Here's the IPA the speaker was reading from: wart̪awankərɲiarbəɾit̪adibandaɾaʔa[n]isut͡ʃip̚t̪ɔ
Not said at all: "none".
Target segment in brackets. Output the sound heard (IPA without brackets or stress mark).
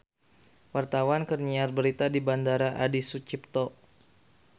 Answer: d